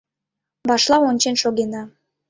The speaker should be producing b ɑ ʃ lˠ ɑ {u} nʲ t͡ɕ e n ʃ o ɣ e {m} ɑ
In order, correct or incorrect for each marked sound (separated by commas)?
incorrect, incorrect